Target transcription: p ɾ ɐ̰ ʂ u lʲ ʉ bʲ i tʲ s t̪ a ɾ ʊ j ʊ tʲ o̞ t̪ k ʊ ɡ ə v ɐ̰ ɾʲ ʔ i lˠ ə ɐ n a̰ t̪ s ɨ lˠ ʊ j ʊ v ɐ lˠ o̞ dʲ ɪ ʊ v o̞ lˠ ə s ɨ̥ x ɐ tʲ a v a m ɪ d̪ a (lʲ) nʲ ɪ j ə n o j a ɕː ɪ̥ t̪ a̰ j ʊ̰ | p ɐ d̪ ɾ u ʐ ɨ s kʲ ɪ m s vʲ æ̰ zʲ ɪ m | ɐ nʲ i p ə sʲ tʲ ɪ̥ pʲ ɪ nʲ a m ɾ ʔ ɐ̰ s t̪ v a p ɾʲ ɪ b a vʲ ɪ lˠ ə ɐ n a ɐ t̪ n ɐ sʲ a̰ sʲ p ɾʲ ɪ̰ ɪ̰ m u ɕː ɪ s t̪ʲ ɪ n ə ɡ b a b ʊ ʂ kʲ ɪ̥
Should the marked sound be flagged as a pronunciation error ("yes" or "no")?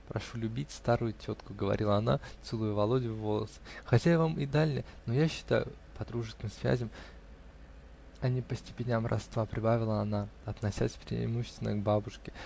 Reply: no